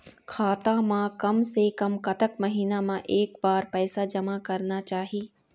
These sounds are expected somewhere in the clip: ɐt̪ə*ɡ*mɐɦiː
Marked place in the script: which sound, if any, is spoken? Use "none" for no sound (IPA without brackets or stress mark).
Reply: k